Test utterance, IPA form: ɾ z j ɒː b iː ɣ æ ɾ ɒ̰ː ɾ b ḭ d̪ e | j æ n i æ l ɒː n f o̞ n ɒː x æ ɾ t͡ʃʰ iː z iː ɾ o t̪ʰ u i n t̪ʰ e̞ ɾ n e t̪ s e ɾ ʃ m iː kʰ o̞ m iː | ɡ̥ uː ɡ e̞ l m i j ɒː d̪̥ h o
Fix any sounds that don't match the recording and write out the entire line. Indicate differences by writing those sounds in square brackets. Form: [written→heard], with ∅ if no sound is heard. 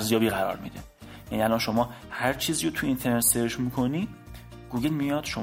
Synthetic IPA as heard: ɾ z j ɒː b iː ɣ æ ɾ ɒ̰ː ɾ [b→m] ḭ d̪ e | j æ n i æ l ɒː n [f→ʃ] o̞ [n→m] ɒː [x→h] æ ɾ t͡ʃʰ iː z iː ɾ o t̪ʰ u i n t̪ʰ e̞ ɾ n e t̪ s e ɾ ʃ m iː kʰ o̞ [m→n] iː | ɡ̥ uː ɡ e̞ l m i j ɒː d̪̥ [h→ʃ] o